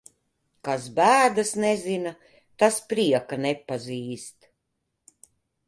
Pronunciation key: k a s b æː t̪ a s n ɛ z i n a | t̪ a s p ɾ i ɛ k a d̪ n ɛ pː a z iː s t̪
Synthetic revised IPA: k a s b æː d̪ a s n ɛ z i n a | t̪ a s p ɾ i ɛ k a n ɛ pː a z iː s t̪